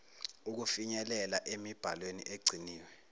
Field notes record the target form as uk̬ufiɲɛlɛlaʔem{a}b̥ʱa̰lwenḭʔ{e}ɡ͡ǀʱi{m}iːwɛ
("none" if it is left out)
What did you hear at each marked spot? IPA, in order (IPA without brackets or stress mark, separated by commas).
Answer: i, e, n